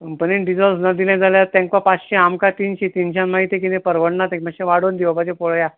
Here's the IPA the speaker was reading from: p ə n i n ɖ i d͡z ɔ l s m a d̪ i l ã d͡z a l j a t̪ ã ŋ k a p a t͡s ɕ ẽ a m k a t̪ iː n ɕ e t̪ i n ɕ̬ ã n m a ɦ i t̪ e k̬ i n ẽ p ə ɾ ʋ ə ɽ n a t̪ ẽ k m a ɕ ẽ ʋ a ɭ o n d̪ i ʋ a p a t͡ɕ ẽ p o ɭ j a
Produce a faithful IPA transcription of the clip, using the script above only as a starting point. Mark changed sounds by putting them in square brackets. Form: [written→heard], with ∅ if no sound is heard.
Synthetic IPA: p ə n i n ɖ i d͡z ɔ l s [m→n] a d̪ i l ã d͡z a l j a t̪ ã ŋ k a p a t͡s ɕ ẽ a m k a t̪ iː n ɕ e t̪ i n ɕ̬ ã n m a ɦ i t̪ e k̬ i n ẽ p ə ɾ ʋ ə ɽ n a t̪ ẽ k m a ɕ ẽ ʋ a [ɭ→ɽ] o n d̪ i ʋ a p a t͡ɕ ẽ p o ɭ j a